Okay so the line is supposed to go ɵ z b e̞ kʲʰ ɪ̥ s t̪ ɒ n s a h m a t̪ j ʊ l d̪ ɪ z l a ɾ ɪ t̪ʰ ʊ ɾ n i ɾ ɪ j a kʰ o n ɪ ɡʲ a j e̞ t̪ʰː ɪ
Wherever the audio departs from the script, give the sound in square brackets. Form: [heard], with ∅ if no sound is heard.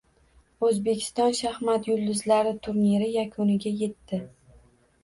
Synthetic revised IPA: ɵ z b e̞ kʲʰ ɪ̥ s t̪ ɒ n [ʃ] a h m a t̪ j ʊ l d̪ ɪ z l a ɾ ɪ t̪ʰ ʊ ɾ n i ɾ ɪ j a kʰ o n ɪ ɡʲ a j e̞ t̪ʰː ɪ